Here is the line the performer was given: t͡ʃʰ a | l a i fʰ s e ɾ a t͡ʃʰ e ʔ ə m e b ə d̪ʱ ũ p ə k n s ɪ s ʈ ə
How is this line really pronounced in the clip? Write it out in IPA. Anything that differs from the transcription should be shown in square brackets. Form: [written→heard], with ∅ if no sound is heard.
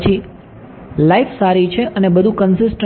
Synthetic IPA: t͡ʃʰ [a→i] | l a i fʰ s [e→a] ɾ [a→i] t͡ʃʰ e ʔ ə [m→n] e b ə d̪ʱ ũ [p→k] ə [k→∅] n s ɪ s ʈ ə